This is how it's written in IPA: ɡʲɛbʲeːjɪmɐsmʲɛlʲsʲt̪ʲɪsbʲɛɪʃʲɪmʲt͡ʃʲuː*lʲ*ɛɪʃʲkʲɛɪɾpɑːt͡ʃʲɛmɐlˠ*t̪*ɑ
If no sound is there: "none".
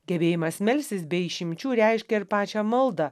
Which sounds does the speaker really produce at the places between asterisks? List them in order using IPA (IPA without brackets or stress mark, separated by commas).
ɾʲ, d̪